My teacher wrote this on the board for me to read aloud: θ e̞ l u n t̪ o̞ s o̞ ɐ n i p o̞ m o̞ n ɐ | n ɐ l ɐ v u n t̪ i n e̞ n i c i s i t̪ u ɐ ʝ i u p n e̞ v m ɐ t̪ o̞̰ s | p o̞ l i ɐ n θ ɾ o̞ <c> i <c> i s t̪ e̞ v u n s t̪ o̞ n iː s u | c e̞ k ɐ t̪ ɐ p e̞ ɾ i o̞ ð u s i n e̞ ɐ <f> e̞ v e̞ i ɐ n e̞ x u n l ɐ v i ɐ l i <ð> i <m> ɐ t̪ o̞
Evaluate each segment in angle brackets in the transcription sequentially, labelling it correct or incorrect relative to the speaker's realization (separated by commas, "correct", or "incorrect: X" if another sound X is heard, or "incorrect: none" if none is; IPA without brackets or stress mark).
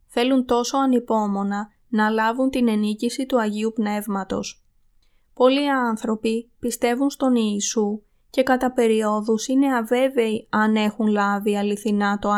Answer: incorrect: p, incorrect: p, incorrect: v, incorrect: θ, incorrect: n